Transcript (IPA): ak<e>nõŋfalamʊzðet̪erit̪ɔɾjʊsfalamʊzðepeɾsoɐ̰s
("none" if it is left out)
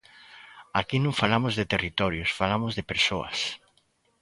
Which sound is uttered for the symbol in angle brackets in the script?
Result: i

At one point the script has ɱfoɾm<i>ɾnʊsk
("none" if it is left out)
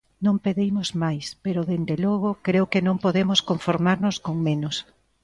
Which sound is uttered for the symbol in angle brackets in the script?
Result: a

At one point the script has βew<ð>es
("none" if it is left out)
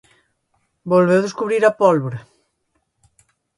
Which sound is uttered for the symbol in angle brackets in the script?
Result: ð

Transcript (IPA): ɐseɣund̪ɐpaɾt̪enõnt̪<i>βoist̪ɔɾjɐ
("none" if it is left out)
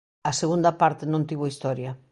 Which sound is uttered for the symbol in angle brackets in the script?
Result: i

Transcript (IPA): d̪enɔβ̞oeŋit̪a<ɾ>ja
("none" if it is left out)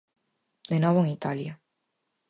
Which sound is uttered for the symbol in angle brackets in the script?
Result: l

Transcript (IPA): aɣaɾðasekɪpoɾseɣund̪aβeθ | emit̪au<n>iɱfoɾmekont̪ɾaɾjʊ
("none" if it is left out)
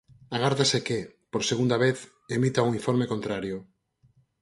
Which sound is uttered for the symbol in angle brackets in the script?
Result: ŋ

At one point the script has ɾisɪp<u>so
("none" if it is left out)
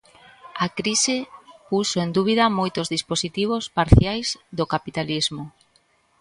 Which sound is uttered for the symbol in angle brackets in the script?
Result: u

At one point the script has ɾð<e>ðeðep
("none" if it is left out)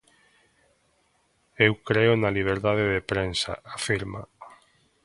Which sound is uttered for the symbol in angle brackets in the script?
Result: a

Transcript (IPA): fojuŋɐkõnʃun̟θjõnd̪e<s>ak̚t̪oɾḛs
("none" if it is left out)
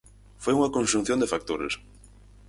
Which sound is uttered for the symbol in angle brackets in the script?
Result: f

